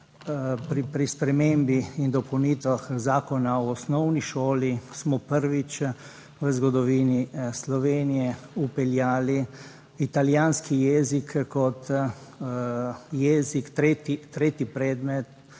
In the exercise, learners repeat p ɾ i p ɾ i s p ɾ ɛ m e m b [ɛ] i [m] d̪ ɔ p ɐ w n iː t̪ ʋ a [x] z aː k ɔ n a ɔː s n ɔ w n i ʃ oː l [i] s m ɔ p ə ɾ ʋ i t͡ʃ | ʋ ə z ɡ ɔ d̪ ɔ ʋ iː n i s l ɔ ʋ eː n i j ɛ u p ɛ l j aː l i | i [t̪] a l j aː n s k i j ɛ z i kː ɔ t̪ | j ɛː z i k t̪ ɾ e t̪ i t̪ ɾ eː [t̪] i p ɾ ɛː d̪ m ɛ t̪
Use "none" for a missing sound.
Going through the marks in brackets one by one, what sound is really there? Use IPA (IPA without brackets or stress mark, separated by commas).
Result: i, n, x, i, t̪, t̪